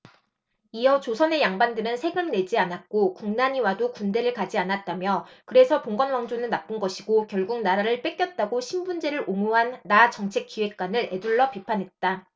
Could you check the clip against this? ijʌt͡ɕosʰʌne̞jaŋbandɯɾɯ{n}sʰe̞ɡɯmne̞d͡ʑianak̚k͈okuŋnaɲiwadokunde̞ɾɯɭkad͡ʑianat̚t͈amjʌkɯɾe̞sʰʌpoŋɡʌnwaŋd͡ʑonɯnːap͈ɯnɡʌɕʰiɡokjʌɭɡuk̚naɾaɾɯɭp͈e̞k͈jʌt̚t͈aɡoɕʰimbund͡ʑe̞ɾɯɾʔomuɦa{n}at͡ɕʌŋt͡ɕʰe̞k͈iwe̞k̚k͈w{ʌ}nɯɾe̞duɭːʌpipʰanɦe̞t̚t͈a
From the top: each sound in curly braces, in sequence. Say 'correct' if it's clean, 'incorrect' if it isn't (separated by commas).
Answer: correct, incorrect, incorrect